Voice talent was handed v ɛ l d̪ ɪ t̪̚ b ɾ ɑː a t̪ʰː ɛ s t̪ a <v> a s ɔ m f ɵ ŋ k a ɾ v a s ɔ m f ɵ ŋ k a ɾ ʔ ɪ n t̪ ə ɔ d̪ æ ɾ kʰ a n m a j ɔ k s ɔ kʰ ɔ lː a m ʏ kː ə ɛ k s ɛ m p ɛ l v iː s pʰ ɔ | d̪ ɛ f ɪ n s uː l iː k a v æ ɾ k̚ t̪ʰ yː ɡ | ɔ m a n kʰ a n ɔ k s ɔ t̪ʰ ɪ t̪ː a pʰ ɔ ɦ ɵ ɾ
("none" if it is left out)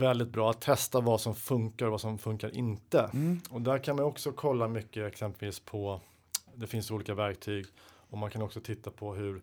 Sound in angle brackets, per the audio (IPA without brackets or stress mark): v